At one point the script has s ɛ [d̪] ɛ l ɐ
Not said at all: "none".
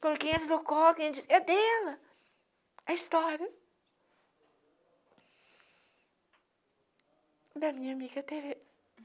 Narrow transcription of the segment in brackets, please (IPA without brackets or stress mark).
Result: d̪